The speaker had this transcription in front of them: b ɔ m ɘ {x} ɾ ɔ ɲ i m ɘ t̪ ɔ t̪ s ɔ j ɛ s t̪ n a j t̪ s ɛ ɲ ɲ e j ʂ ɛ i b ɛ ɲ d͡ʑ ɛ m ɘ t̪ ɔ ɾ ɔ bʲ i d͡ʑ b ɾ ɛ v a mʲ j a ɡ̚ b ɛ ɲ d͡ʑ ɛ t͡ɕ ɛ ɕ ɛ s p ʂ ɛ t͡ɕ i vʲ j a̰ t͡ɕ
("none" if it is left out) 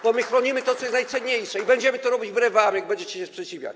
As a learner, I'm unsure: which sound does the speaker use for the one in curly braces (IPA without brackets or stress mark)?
x